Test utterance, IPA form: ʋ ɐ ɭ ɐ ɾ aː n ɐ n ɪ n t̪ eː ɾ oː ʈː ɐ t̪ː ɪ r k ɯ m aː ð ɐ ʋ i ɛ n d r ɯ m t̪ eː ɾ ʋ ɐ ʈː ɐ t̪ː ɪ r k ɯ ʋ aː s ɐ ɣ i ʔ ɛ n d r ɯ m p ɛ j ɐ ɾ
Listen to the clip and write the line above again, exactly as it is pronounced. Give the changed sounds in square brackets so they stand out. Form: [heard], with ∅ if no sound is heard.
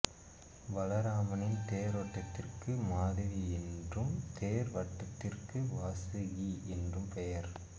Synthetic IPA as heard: ʋ ɐ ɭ ɐ ɾ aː [m] ɐ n ɪ n t̪ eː ɾ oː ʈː ɐ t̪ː ɪ r k ɯ m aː ð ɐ ʋ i ɛ n d r ɯ m t̪ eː ɾ ʋ ɐ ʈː ɐ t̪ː ɪ r k ɯ ʋ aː s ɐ ɣ i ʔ ɛ n d r ɯ m p ɛ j ɐ ɾ